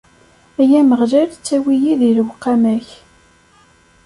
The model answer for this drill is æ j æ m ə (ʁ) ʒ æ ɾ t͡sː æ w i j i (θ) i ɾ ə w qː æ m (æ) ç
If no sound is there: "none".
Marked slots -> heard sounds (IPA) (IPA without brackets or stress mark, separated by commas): ʁ, ð, æ